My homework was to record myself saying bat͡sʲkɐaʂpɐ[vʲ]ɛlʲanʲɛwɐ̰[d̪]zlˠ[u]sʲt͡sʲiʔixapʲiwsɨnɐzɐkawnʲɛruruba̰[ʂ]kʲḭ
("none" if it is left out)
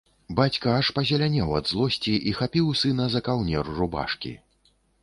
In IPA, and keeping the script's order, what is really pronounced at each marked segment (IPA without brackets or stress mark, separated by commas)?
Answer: zʲ, d̪, ɔ, ʂ